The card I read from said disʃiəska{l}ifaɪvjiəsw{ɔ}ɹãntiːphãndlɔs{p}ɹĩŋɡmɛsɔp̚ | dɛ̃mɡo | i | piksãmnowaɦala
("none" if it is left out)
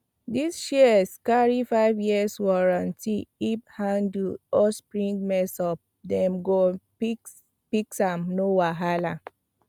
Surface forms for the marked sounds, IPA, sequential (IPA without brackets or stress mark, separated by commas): ɹ, ɔ, p